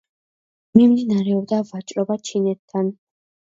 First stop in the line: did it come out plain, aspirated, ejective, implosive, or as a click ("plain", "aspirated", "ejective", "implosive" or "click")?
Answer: plain